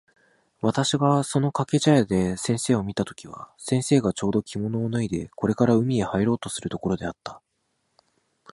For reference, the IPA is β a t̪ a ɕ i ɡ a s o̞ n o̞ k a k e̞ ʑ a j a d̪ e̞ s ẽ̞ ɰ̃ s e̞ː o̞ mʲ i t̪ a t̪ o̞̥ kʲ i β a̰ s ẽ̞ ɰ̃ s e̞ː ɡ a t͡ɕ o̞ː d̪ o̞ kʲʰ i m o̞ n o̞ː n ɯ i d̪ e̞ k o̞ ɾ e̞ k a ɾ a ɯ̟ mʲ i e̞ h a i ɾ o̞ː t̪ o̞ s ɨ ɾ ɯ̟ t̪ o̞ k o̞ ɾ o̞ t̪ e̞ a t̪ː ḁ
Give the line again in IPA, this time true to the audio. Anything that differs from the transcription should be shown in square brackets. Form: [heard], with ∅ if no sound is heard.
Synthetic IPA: β a t̪ a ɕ i ɡ a s o̞ n o̞ k a k e̞ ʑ a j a d̪ e̞ s ẽ̞ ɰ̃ s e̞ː o̞ mʲ i t̪ a t̪ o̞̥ kʲ i β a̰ s ẽ̞ ɰ̃ s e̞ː ɡ a t͡ɕ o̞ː d̪ o̞ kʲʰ i m o̞ n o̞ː n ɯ i d̪ e̞ k o̞ ɾ e̞ k a ɾ a ɯ̟ mʲ i e̞ h a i ɾ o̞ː t̪ o̞ s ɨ ɾ ɯ̟ t̪ o̞ k o̞ ɾ o̞ [d̪] e̞ a t̪ː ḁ

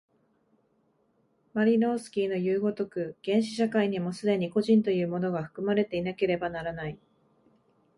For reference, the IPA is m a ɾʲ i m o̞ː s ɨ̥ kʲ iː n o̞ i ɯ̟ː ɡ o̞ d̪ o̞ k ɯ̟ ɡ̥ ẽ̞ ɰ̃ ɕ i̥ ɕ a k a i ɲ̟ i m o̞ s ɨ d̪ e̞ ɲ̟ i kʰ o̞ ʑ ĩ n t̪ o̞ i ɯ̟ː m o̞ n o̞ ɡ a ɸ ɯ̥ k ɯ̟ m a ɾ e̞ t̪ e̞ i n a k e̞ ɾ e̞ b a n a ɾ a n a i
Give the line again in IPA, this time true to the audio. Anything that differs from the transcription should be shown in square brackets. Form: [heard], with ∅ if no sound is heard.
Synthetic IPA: m a ɾʲ i [n] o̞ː s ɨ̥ kʲ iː n o̞ [j] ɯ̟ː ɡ o̞ [t̪] o̞ k ɯ̟ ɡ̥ ẽ̞ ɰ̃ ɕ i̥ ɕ a k a i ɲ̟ i m o̞ s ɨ d̪ e̞ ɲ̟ i [k] o̞ ʑ ĩ n t̪ o̞ [j] ɯ̟ː m o̞ n o̞ ɡ a ɸ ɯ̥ k ɯ̟ m a ɾ e̞ t̪ e̞ i n a k e̞ ɾ e̞ b a n a ɾ a n a i

